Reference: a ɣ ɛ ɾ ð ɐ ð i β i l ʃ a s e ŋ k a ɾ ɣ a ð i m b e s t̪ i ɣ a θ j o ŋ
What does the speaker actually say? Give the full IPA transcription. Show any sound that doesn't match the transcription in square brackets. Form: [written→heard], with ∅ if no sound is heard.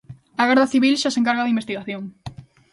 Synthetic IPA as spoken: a ɣ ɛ ɾ ð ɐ [ð→θ] i β i l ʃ a s e ŋ k a ɾ ɣ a ð i m b e s t̪ i ɣ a θ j o ŋ